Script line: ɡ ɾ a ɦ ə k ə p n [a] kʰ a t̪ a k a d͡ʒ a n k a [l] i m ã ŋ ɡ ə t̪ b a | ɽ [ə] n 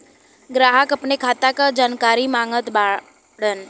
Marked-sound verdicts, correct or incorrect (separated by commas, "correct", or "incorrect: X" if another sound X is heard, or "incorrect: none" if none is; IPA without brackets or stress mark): incorrect: e, incorrect: ɾ, correct